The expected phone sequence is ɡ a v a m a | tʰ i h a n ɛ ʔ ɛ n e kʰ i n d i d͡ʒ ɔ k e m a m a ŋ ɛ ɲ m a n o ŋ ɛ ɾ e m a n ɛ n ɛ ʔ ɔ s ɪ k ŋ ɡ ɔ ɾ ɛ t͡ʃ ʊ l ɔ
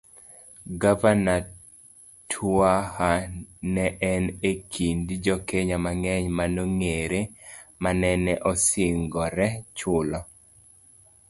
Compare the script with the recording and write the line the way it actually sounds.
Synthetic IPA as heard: ɡ a v a n a | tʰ a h a n ɛ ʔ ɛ n e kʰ i n d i d͡ʒ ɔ k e ɲ a m a ŋ ɛ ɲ m a n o ŋ e ɾ e m a n ɛ n ɛ ʔ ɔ s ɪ ŋ ɡ ɔ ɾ ɛ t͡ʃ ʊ l ɔ